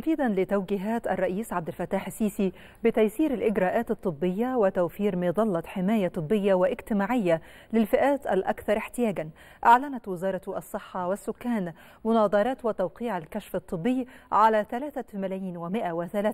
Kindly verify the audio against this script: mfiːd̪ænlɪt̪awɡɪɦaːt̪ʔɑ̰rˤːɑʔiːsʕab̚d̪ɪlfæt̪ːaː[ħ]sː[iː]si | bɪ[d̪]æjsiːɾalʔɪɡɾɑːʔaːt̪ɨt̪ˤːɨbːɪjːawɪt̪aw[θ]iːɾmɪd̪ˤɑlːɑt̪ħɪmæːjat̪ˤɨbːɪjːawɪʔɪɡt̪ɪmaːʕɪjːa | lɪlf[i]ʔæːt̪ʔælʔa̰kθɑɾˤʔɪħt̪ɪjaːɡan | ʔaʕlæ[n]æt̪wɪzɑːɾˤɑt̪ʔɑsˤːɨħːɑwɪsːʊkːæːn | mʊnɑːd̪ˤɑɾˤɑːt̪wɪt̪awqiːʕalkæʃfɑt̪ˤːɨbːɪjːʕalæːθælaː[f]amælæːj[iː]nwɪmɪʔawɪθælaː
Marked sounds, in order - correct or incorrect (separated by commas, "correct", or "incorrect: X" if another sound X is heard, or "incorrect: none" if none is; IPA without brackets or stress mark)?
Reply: correct, correct, incorrect: t̪, incorrect: f, incorrect: ɪ, correct, incorrect: θ, correct